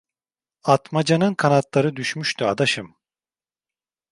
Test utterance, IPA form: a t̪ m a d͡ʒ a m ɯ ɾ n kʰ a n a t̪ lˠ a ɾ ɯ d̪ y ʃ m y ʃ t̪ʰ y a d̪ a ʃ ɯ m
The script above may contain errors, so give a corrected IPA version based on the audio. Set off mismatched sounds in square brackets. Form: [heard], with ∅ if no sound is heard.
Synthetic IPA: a t̪ m a d͡ʒ a [n] ɯ [∅] n kʰ a n a t̪ lˠ a ɾ ɯ d̪ y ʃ m y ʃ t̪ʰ y a d̪ a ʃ ɯ m